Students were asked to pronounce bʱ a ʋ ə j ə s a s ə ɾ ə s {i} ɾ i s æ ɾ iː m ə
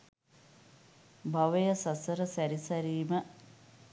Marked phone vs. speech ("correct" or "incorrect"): incorrect